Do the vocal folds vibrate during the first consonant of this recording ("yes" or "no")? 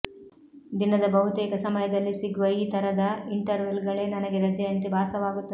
yes